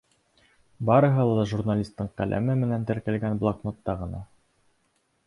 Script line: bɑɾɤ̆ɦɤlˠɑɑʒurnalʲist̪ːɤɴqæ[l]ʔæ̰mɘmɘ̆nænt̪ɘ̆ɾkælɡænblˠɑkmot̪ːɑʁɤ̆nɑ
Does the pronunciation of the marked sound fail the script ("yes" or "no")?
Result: no